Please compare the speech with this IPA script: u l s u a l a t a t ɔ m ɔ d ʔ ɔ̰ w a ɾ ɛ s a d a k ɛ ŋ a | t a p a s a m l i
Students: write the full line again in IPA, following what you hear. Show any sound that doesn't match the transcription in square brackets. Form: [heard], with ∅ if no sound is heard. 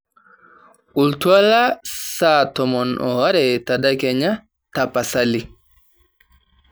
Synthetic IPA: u l [t] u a l a [s] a t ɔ m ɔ [n] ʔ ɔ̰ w a ɾ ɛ [t] a d a k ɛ [ɲ] a | t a p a s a [∅] l i